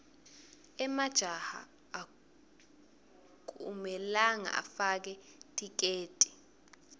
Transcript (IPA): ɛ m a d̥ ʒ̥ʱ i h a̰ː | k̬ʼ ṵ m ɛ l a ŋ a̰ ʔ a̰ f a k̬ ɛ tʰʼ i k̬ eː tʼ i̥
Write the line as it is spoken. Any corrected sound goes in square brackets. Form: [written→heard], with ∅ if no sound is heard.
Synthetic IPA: ɛ m a d̥ ʒ̥ʱ [i→a] h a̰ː | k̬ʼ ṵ m ɛ l a ŋ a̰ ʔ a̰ f a k̬ ɛ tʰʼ i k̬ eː tʼ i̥